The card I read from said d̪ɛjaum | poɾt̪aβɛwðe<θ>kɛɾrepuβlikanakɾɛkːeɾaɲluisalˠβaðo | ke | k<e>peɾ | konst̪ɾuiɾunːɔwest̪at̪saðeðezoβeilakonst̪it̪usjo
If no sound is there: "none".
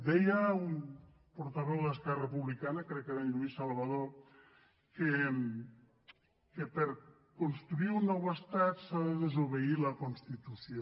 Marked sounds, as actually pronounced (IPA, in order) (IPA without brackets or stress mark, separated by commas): s, e